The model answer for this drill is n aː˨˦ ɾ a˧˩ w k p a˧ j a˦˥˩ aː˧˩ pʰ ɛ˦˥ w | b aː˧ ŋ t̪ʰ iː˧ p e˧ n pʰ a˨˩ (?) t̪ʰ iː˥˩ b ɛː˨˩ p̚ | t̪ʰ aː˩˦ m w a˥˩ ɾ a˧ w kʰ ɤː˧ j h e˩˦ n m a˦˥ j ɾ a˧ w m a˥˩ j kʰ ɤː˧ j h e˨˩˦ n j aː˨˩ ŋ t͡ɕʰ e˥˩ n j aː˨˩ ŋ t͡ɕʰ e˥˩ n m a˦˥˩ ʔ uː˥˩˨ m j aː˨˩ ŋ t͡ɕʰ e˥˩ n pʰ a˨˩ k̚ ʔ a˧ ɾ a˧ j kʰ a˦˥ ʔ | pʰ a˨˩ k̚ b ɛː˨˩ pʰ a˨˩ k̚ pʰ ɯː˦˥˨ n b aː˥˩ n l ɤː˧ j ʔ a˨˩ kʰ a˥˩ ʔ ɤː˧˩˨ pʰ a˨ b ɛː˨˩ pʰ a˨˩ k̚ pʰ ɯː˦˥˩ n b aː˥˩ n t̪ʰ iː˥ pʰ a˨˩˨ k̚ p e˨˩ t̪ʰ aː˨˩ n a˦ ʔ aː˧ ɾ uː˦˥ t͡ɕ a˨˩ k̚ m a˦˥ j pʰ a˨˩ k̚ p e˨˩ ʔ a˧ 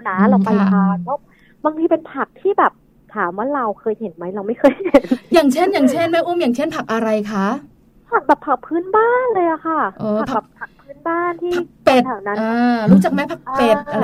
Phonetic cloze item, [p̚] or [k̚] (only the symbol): k̚